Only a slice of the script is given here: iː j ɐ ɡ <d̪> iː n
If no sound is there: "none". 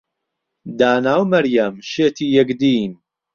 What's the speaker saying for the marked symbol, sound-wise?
d̪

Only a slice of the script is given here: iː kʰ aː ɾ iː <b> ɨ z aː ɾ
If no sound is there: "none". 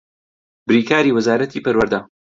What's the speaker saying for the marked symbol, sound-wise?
w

